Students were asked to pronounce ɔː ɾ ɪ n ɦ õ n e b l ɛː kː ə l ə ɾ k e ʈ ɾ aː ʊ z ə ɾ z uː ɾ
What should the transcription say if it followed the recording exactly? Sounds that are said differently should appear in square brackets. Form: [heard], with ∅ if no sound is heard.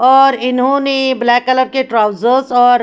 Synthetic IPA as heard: ɔː ɾ ɪ n ɦ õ n e b l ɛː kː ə l ə ɾ k e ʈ ɾ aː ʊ z ə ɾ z [ɔː] ɾ